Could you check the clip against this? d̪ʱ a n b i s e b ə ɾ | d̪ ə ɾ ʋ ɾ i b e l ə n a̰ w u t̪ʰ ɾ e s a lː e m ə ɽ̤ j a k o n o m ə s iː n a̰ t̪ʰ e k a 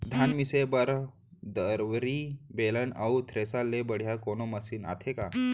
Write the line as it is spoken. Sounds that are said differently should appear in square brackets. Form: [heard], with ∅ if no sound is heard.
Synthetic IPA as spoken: d̪ʱ a n [m] i s e b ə ɾ | d̪ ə ɾ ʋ ɾ i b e l ə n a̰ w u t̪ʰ ɾ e s a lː e [b] ə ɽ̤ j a k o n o m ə s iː n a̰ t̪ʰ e k a